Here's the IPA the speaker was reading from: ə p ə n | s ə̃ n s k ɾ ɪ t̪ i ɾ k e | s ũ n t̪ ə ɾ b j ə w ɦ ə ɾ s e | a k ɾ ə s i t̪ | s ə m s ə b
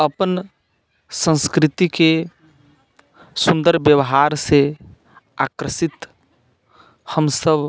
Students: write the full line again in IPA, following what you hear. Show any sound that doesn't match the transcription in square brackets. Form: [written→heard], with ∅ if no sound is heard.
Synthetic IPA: ə p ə n | s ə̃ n s k ɾ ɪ t̪ i [ɾ→∅] k e | s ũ n [t̪→d̪] ə ɾ b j ə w ɦ [ə→a] ɾ s e | a k ɾ ə s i t̪ | [s→h] ə m s ə b